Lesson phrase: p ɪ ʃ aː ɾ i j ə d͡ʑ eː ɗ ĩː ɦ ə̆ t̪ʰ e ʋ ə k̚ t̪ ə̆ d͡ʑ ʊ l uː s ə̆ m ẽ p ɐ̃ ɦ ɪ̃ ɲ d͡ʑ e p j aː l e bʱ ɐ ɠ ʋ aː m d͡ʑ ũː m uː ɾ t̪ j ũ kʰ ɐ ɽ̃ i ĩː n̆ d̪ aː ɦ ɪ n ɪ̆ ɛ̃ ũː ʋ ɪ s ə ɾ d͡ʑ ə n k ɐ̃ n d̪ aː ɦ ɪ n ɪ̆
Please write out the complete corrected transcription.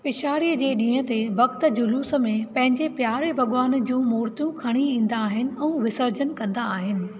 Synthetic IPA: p ɪ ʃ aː ɾ i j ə d͡ʑ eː ɗ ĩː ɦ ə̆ t̪ e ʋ ɐ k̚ t̪ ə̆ d͡ʑ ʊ l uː s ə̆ m ẽ p ɐ̃ ɦ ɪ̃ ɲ d͡ʑ e p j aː ɾ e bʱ ɐ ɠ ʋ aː n d͡ʑ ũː m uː ɾ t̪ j ũ kʰ ɐ ɽ̃ i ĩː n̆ d̪ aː ɦ ɪ n ɪ̆ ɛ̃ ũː ʋ ɪ s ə ɾ d͡ʑ ə n k ɐ̃ n d̪ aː ɦ ɪ n ɪ̆